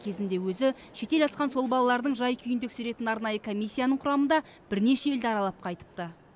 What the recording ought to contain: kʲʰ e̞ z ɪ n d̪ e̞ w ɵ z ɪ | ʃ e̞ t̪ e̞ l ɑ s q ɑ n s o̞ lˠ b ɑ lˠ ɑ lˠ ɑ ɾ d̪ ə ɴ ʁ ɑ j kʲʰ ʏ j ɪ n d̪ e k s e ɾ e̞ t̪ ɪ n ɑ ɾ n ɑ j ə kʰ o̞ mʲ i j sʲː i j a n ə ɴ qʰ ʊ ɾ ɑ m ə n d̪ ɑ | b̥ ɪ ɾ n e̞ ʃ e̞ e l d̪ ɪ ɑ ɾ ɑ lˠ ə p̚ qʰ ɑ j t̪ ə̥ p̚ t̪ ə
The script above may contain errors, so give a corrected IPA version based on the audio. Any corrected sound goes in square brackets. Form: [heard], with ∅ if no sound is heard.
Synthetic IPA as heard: kʲʰ e̞ z ɪ n d̪ e̞ w ɵ z ɪ | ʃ e̞ t̪ e̞ l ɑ s q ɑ n s o̞ lˠ b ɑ lˠ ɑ lˠ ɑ ɾ d̪ ə ɴ [ʒ] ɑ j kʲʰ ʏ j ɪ n d̪ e k s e ɾ e̞ t̪ ɪ n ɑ ɾ n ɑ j ə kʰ o̞ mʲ i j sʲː i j a n ə ɴ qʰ ʊ ɾ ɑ m ə n d̪ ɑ | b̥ ɪ ɾ n e̞ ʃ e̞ e l d̪ ɪ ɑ ɾ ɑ lˠ [ɑ] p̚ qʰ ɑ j t̪ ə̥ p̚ t̪ ə